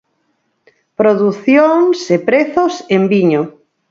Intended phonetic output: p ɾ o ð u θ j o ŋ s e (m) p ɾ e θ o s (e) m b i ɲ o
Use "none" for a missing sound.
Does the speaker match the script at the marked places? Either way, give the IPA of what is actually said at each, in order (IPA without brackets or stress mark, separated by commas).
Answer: none, e